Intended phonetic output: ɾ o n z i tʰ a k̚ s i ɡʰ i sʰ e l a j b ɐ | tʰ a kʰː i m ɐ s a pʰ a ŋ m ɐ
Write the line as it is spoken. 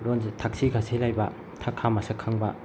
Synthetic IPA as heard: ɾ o n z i tʰ a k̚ s i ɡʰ a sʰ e l a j b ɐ | tʰ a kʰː a m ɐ s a kʰ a ŋ b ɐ

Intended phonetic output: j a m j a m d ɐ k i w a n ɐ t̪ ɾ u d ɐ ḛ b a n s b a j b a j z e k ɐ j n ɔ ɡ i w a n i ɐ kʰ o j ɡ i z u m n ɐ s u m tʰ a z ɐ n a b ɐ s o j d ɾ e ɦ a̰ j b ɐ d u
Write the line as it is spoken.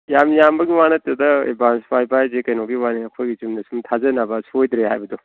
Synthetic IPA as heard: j a m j a m b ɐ ɡ i w a n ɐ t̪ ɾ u d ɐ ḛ b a n s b a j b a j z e k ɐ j n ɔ ɡ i w a n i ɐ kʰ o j ɡ i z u m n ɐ s u m tʰ a z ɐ n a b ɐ s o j d ɾ e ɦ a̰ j b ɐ d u

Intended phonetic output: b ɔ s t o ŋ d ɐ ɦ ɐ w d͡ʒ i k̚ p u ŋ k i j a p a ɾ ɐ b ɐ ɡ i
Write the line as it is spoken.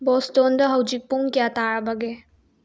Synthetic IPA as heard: b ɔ s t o n d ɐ ɦ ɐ w d͡ʒ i k̚ p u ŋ k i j a t a ɾ ɐ b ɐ ɡ e

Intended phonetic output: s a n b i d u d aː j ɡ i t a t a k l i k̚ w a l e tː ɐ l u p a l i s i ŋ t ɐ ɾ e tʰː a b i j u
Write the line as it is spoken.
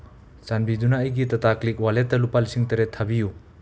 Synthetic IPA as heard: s a n b i d u n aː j ɡ i t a t a k l i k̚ w a l e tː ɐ l u p a l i s i ŋ t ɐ ɾ e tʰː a b i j u

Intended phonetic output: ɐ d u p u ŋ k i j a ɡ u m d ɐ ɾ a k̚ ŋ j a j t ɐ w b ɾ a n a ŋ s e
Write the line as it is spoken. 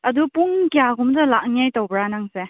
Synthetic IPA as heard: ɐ d u p u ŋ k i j a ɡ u m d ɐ l a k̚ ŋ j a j t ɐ w b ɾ a n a ŋ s e

